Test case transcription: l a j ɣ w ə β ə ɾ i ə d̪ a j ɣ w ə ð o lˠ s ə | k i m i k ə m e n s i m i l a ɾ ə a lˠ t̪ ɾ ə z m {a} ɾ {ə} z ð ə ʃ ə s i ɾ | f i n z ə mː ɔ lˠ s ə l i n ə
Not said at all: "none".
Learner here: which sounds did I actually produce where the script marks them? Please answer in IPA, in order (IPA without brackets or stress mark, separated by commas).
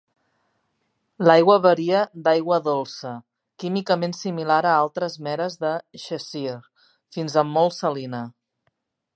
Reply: ɛ, ə